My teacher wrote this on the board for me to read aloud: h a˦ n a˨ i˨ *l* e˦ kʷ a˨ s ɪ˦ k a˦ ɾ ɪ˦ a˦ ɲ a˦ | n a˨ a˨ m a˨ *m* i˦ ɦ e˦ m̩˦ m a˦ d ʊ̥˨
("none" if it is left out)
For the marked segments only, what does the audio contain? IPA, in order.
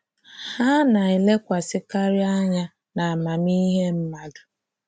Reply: l, m

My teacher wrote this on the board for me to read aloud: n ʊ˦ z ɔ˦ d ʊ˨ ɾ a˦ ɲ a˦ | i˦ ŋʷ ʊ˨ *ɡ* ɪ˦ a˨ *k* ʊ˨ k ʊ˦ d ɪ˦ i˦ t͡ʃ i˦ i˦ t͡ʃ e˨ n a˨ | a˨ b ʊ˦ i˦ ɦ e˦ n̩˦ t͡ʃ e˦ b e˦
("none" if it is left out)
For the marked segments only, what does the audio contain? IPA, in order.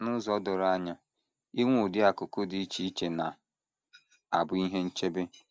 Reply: d, k

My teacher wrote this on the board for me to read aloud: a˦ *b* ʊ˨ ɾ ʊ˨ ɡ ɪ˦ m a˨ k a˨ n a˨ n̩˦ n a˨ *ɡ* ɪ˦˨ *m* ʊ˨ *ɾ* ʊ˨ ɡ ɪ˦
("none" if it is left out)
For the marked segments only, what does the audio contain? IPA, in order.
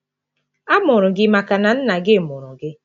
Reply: m, ɡ, m, ɾ

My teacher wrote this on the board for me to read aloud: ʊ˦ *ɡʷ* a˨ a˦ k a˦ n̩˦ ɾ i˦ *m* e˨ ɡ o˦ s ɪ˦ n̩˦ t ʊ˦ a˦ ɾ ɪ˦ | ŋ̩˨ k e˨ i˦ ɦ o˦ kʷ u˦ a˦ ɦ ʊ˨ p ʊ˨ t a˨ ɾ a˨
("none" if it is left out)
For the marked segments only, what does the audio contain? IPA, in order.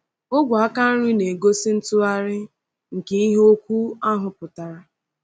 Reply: ɡʷ, n

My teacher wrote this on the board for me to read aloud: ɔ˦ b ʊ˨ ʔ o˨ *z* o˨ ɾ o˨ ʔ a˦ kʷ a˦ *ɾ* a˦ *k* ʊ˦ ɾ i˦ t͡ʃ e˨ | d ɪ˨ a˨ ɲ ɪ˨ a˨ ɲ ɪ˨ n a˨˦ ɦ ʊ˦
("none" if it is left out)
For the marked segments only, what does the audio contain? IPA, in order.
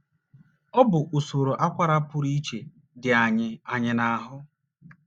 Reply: s, ɾ, p

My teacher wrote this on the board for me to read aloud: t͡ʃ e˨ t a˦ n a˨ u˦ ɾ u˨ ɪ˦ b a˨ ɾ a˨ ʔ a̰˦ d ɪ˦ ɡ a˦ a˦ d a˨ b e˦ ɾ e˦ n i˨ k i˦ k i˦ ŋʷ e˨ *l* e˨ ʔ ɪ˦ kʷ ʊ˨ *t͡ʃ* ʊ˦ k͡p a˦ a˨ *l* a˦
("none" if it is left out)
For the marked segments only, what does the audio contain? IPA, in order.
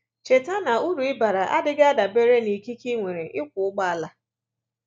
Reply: ɾ, none, l

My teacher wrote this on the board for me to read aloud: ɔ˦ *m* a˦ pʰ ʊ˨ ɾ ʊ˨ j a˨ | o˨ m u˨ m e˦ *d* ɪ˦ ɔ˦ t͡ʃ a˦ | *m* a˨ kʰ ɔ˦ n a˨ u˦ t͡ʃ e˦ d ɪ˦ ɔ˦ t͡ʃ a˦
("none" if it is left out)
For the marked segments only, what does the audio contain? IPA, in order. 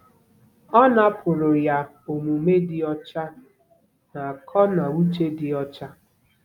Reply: n, d, n

